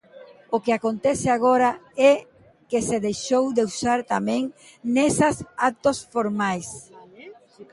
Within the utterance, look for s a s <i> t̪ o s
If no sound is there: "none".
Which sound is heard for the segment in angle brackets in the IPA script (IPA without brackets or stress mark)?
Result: a